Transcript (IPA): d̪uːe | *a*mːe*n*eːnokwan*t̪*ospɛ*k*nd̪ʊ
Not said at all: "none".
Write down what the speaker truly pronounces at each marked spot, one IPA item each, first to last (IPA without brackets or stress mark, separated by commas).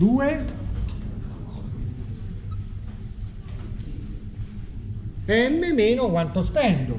ɛ, m, t̪, none